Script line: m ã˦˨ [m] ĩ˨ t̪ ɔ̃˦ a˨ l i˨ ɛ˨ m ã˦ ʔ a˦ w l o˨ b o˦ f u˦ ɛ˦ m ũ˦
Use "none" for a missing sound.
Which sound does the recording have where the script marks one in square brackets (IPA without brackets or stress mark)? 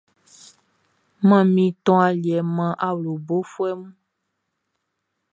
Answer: m